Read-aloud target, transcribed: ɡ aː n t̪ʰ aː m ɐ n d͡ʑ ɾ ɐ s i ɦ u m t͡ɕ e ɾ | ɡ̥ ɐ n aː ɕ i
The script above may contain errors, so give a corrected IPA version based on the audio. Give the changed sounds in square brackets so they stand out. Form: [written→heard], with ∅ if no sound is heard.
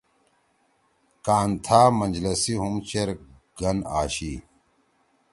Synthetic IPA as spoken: [ɡ→k] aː n t̪ʰ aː m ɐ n d͡ʑ [ɾ→l] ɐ s i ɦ u m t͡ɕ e ɾ | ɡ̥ ɐ n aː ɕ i